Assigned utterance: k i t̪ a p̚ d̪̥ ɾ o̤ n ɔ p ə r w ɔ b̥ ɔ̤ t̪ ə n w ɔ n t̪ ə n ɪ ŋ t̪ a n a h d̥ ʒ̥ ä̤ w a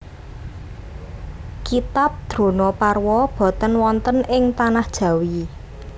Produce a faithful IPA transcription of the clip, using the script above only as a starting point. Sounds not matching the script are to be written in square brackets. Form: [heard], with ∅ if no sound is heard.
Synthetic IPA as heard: k i t̪ a p̚ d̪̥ ɾ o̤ n ɔ p [a] r w ɔ b̥ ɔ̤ t̪ ə n w ɔ n t̪ ə n ɪ ŋ t̪ a n a h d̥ ʒ̥ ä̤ w [i]

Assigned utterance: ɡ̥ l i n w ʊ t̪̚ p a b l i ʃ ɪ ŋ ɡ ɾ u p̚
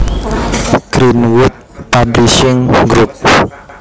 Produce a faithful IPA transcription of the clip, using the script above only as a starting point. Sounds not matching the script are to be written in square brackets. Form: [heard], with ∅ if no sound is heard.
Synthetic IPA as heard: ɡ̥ [ɾ] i n w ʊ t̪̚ p a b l i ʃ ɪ ŋ ɡ ɾ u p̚

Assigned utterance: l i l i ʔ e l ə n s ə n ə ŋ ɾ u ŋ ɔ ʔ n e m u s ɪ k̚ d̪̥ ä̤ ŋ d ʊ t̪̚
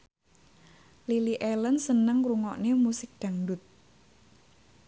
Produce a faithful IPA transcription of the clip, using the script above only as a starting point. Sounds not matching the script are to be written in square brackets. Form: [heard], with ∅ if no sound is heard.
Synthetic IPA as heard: l i l i ʔ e l ə n s ə n ə ŋ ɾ u ŋ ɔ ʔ n e m u s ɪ k̚ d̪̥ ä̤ ŋ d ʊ t̪̚

